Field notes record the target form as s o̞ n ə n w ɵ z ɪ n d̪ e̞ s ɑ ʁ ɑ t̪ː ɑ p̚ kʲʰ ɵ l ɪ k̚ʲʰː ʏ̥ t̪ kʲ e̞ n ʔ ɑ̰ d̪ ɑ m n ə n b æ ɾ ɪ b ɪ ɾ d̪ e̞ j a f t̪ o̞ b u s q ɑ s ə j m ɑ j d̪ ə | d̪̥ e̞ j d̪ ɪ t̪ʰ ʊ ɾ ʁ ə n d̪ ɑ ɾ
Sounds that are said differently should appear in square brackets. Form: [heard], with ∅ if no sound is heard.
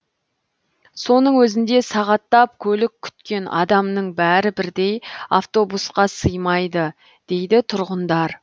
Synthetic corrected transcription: s o̞ n ə [ɴ] w ɵ z ɪ n d̪ e̞ s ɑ ʁ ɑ t̪ː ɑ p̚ kʲʰ ɵ l ɪ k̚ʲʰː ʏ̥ t̪ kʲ e̞ n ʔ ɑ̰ d̪ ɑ m n ə [ɴ] b æ ɾ ɪ b ɪ ɾ d̪ e̞ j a f t̪ o̞ b u s q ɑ s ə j m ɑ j d̪ ə | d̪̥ e̞ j d̪ ɪ t̪ʰ ʊ ɾ ʁ ə n d̪ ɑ ɾ